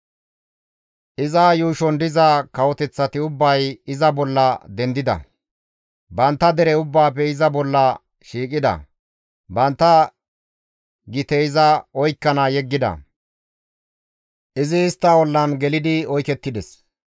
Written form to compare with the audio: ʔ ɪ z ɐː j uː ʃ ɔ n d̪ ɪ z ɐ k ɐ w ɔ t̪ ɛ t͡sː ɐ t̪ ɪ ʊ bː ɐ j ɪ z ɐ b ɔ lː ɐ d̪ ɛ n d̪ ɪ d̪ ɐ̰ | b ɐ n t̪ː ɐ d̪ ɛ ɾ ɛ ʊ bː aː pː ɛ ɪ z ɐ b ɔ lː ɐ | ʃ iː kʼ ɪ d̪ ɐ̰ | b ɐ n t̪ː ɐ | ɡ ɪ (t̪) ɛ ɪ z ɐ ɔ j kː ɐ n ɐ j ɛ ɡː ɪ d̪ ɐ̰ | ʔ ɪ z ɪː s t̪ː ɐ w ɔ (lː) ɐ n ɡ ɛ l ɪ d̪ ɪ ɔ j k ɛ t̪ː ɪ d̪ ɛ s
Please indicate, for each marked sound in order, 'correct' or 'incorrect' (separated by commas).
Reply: correct, correct